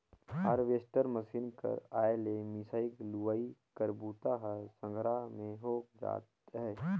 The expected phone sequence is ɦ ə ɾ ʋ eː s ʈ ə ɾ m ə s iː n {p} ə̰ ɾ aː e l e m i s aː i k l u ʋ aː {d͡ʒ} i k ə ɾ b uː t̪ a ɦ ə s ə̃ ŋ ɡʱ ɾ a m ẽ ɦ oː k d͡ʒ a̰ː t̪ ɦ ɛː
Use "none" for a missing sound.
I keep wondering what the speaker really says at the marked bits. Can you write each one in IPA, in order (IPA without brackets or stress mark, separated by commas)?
k, none